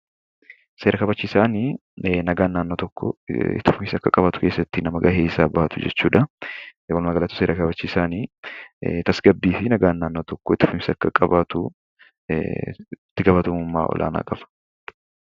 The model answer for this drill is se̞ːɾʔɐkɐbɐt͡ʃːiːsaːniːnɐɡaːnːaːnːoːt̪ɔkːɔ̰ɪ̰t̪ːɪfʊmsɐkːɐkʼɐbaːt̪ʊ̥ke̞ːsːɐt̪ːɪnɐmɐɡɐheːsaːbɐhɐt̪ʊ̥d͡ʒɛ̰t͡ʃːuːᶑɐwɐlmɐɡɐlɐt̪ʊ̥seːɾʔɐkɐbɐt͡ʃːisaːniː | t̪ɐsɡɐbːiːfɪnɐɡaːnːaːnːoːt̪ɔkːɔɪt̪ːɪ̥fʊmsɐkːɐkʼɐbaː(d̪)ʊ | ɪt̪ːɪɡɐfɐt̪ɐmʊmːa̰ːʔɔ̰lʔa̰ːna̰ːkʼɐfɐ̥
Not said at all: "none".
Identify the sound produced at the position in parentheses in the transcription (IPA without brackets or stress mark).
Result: t̪